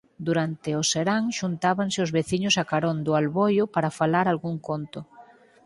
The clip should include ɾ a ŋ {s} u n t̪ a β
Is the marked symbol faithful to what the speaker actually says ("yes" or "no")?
no